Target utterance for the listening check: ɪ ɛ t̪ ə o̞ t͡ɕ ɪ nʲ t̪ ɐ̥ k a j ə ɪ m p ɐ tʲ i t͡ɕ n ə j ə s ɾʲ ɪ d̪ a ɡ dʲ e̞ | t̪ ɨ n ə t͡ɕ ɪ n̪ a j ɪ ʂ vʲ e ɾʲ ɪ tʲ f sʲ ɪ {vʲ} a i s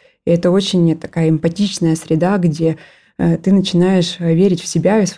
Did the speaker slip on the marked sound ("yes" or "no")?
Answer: yes